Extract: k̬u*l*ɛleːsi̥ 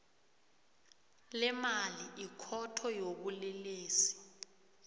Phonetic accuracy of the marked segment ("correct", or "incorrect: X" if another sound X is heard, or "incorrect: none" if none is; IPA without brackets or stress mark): correct